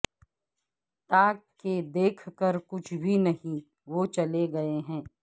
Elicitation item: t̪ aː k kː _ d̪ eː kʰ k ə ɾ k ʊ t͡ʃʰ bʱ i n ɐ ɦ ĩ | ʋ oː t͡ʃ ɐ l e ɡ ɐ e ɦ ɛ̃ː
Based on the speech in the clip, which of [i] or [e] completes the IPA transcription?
e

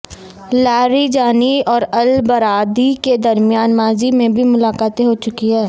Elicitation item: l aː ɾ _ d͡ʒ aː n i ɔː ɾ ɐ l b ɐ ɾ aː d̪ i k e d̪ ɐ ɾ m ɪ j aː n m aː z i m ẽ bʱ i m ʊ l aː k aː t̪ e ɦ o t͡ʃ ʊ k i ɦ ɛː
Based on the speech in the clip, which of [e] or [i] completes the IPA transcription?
i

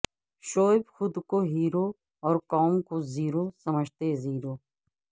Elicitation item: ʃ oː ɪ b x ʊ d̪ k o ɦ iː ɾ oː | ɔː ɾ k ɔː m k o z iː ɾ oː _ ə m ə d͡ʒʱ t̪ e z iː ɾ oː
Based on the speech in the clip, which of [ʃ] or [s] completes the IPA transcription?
s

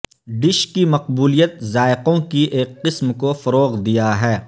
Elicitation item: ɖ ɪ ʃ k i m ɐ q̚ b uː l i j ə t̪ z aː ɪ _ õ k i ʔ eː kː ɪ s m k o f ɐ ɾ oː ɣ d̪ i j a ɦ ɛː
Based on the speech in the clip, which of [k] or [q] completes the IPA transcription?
q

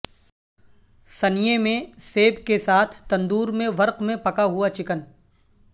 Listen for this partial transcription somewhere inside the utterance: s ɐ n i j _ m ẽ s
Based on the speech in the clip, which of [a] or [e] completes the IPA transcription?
e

